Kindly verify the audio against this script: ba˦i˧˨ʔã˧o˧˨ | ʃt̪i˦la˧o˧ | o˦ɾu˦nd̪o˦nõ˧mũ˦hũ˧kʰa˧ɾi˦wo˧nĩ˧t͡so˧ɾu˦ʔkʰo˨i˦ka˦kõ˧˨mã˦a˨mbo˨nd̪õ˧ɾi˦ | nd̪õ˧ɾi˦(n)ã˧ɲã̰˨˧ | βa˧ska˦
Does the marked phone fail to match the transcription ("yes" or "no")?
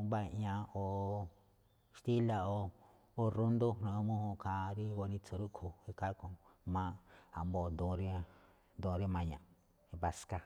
yes